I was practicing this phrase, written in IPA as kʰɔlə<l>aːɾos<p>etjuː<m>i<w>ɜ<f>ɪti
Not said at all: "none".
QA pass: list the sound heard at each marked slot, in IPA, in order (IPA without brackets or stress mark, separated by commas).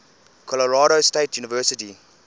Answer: ɹ, t, n, v, s